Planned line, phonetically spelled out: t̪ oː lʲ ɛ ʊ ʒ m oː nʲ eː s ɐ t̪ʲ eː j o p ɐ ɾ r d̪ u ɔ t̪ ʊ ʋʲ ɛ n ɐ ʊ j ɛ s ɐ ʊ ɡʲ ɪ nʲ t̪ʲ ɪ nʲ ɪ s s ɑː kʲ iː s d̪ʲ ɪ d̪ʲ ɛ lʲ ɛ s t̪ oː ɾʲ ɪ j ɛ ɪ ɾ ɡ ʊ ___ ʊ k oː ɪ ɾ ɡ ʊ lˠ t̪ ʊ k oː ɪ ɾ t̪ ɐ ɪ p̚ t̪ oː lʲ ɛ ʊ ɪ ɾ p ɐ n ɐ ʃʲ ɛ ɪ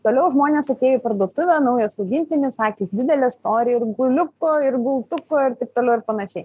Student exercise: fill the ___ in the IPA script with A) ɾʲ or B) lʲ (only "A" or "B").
B